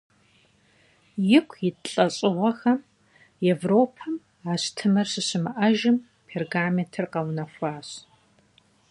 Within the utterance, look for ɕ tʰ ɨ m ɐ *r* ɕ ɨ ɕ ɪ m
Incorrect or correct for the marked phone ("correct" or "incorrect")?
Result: correct